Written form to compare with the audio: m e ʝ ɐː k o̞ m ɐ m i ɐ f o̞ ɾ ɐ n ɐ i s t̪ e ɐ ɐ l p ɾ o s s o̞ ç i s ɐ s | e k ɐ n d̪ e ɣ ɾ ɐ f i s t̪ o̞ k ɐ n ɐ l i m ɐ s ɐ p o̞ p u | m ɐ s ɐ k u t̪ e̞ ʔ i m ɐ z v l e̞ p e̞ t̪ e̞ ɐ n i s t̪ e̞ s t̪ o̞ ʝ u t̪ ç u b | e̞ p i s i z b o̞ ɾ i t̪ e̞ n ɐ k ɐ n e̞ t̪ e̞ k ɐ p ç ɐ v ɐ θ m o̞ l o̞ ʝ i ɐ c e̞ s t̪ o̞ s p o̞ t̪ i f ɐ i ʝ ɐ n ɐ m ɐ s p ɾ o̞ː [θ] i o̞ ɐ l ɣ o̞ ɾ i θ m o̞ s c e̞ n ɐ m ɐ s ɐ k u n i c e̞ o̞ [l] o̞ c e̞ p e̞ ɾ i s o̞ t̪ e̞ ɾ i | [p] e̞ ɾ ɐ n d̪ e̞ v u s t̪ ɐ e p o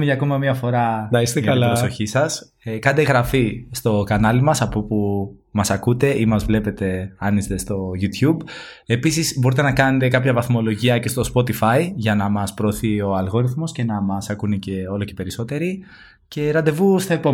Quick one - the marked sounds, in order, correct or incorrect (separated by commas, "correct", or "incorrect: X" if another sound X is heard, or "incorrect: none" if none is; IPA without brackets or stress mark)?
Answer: correct, correct, incorrect: c